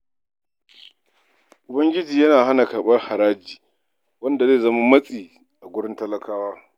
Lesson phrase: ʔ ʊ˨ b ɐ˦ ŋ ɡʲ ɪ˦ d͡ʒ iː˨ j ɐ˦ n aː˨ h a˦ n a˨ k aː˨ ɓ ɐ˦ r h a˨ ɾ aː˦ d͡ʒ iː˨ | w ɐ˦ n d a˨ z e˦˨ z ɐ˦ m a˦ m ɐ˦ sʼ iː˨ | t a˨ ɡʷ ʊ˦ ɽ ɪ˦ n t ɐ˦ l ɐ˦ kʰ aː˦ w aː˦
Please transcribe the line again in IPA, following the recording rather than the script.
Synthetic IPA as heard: ʔ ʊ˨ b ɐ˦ ŋ ɡʲ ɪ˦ d͡ʒ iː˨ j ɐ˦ n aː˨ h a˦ n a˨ k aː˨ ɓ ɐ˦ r h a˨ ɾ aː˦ d͡ʒ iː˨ | w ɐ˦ n d a˨ z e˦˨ z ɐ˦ m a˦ m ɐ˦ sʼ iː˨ | ʔ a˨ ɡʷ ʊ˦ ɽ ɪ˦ n t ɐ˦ l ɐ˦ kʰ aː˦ w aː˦